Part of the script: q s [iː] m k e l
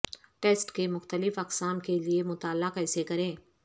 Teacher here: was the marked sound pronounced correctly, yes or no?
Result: no